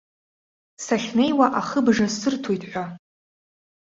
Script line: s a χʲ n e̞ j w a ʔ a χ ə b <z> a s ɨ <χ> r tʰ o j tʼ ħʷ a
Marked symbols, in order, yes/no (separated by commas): no, no